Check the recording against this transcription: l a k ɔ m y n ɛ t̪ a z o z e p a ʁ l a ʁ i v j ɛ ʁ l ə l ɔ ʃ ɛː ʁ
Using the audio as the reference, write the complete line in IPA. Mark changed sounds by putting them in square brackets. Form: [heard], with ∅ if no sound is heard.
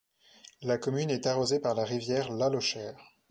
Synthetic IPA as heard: l a k ɔ m y n ɛ t̪ a [ʁ] o z e p a ʁ l a ʁ i v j ɛ ʁ l [a] l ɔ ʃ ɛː ʁ